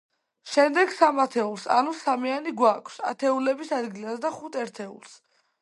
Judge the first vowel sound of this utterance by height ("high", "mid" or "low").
mid